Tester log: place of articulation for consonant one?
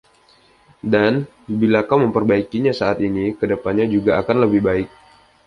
alveolar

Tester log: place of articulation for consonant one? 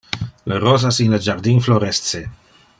alveolar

